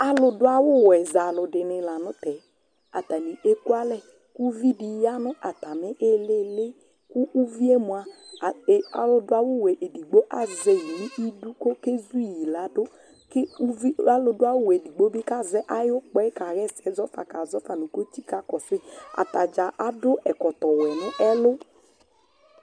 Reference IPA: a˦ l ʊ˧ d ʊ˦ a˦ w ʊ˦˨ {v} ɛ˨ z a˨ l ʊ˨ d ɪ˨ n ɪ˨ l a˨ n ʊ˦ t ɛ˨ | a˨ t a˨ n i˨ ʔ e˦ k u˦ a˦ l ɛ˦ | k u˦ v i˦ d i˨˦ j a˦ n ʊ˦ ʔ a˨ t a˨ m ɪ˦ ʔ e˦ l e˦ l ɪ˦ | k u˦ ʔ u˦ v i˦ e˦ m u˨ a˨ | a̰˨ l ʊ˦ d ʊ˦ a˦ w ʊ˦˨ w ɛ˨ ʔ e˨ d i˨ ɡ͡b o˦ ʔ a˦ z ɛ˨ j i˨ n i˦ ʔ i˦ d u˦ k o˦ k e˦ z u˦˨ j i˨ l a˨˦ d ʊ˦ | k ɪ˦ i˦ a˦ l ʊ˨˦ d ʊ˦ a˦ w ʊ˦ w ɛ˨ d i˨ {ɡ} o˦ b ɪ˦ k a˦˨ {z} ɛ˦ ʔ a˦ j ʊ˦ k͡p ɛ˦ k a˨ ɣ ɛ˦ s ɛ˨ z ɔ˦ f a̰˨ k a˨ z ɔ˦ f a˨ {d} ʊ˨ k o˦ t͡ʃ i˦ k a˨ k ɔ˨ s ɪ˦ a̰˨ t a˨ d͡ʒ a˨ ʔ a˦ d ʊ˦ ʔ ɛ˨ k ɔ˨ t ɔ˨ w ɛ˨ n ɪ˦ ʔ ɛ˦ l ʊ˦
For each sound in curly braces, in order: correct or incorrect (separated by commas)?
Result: incorrect, incorrect, correct, incorrect